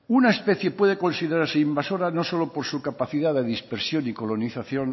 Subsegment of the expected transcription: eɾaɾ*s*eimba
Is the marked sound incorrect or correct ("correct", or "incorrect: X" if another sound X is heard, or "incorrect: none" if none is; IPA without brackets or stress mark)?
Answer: correct